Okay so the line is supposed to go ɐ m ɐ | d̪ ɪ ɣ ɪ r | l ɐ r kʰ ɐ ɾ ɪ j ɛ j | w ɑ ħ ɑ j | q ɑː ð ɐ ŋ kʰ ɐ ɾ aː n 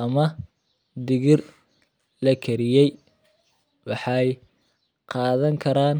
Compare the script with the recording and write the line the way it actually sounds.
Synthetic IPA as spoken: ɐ m ɐ | d̪ ɪ ɣ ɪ r | l ɐ kʰ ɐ ɾ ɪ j ɛ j | w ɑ ħ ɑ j | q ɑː ð ɐ ŋ kʰ ɐ ɾ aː n